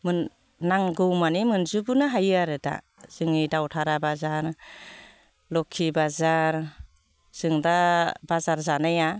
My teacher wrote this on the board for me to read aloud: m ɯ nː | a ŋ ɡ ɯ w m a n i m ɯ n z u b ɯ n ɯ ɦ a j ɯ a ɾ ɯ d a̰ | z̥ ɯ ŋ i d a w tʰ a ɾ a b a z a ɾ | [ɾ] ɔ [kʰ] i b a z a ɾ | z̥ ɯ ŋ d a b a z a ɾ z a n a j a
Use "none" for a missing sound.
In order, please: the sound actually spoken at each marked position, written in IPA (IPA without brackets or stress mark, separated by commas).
l, kʰ